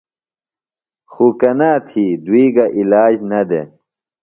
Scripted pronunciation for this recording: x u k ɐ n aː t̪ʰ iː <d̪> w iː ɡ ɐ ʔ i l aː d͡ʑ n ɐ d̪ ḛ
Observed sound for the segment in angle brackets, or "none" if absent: d̪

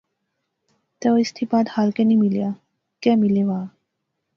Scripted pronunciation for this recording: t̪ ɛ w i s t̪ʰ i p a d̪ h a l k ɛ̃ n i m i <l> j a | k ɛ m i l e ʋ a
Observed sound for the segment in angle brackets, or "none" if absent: l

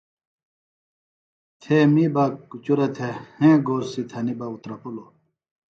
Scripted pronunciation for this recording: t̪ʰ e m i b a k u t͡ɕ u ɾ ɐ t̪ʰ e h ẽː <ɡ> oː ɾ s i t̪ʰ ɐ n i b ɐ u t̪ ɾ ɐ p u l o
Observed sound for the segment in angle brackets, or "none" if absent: ɡ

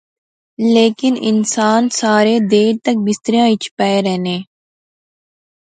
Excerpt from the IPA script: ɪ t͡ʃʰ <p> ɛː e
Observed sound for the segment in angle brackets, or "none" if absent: p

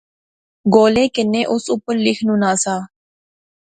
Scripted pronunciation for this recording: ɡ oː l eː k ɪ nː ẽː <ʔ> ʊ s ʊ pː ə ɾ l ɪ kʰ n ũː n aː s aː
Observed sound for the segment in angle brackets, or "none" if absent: ʔ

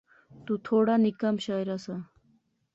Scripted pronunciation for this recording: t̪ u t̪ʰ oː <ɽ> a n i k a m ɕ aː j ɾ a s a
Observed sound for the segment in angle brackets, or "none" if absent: ɽ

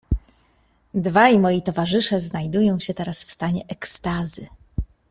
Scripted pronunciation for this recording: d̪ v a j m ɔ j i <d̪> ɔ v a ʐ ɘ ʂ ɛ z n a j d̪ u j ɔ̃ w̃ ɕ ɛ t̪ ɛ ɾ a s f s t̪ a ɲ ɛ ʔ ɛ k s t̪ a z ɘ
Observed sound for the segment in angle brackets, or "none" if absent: t̪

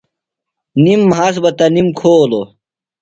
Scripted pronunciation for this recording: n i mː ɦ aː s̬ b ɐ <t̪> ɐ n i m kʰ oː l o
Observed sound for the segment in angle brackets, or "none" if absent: t̪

